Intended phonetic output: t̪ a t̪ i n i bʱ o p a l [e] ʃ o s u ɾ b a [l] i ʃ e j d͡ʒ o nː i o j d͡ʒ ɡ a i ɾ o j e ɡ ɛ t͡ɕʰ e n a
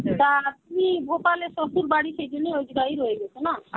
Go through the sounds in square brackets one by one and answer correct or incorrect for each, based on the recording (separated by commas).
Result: correct, incorrect